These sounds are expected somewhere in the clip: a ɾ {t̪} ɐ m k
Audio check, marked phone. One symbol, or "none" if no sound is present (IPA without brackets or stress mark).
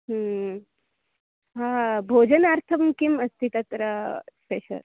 t̪ʰ